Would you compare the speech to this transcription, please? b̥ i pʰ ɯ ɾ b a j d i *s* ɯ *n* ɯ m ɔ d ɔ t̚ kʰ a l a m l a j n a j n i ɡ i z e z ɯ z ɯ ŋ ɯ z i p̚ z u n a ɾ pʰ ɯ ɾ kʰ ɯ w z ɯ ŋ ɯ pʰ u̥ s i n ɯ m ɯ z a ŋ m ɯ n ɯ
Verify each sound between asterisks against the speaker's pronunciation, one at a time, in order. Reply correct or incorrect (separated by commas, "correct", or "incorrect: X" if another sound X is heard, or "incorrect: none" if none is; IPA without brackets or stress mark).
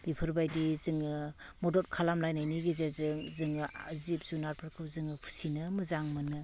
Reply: incorrect: z, incorrect: ŋ